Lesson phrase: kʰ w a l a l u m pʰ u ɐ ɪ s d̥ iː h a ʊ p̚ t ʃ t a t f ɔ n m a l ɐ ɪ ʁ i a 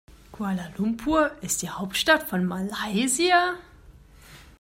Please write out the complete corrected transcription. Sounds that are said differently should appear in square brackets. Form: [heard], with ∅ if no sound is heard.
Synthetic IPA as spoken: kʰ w a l a l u m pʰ u ɐ ɪ s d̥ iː h a ʊ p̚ t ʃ t a t f ɔ n m a l [a] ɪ [z] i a